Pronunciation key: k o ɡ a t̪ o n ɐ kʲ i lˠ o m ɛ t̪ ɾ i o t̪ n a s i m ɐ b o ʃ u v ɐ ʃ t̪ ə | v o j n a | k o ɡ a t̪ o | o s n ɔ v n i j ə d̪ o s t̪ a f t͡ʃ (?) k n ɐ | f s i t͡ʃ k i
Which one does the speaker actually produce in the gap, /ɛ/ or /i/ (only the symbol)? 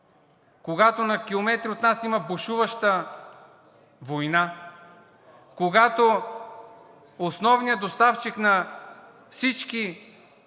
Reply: i